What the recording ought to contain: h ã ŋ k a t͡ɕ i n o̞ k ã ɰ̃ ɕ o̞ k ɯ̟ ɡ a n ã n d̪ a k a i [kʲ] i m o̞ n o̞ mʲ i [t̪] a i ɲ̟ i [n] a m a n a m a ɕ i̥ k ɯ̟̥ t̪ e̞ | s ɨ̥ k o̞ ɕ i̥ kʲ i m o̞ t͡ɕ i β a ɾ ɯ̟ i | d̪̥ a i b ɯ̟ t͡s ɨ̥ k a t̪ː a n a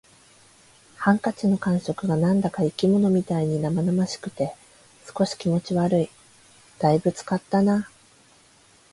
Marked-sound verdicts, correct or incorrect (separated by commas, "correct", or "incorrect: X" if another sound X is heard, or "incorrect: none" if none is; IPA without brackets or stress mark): correct, correct, correct